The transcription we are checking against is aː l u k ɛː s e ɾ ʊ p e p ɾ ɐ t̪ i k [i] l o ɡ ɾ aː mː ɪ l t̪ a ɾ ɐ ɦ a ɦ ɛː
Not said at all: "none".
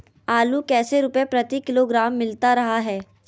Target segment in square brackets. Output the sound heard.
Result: ɪ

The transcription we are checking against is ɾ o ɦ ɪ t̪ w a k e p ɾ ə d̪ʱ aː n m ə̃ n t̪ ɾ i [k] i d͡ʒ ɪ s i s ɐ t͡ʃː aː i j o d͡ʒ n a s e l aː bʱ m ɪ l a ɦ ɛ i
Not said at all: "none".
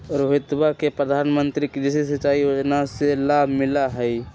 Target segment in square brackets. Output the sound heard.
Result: k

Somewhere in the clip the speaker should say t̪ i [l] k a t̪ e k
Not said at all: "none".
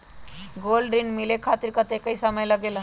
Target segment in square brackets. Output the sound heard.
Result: ɾ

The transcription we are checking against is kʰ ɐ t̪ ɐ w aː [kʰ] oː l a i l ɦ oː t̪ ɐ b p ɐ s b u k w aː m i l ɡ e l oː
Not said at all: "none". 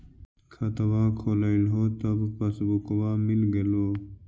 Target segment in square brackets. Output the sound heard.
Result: kʰ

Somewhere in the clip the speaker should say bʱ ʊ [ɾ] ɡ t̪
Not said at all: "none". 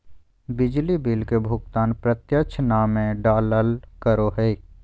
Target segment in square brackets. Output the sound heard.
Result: none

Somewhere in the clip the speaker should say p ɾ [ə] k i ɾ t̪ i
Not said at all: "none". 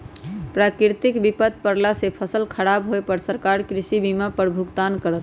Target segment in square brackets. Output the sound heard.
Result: a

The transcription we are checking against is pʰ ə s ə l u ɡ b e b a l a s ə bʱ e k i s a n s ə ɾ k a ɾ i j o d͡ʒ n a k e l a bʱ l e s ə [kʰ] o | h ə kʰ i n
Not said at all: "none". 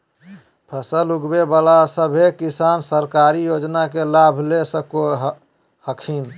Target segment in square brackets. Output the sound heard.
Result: k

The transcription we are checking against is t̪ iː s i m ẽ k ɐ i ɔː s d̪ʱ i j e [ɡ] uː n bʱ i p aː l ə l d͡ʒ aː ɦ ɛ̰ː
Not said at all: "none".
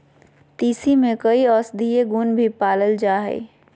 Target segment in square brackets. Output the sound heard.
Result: ɡ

